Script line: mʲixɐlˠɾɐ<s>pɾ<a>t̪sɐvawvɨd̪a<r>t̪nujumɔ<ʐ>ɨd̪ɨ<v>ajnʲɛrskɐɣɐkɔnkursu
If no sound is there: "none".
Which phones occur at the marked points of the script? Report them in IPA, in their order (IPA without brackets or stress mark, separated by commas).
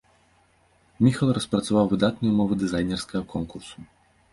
s, ɐ, none, v, z